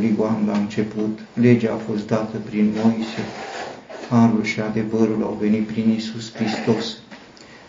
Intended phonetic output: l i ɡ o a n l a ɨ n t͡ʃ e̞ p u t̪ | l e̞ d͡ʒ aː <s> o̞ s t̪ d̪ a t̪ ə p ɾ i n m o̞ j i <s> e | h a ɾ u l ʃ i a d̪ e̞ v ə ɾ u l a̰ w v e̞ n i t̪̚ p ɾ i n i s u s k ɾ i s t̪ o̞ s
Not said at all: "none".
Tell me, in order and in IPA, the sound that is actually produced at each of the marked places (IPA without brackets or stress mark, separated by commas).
f, s